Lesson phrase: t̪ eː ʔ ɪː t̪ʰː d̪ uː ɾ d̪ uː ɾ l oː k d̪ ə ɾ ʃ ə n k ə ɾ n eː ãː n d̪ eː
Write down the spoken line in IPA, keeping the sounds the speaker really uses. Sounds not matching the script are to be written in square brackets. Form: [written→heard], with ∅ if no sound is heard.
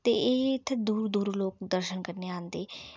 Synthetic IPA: t̪ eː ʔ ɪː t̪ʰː d̪ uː ɾ d̪ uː ɾ l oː k d̪ ə ɾ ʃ ə n k ə ɾ n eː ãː n d̪ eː